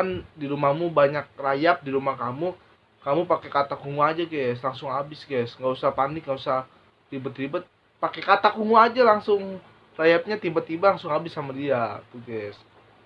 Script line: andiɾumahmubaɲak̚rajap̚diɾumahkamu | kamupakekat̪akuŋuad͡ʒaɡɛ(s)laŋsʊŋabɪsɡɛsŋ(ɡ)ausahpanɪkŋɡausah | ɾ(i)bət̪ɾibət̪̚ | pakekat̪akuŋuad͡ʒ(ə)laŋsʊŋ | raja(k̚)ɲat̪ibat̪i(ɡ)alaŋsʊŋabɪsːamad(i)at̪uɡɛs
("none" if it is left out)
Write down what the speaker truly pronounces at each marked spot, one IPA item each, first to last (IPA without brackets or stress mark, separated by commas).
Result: s, ɡ, i, a, p̚, b, i